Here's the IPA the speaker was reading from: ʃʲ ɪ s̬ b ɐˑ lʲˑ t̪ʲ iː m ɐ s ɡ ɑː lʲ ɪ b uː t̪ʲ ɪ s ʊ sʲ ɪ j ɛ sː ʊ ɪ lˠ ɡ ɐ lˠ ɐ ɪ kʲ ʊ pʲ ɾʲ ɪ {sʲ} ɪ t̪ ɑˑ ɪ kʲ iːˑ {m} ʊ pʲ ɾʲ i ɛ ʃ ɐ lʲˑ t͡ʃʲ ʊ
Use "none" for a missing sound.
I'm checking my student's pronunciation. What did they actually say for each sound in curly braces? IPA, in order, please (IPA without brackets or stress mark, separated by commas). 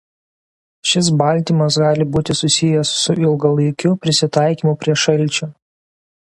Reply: sʲ, m